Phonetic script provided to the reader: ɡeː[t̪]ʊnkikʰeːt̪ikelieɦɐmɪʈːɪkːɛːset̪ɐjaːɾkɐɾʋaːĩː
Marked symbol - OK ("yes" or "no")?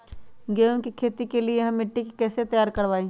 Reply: no